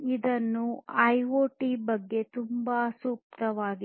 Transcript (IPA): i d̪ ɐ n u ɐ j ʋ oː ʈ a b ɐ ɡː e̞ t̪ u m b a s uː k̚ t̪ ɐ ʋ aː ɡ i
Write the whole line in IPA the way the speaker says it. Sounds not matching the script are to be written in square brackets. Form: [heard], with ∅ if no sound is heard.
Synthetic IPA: i d̪ ɐ [nː] u ɐ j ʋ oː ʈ [i] b ɐ ɡː e̞ t̪ u m b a s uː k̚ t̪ ɐ ʋ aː ɡ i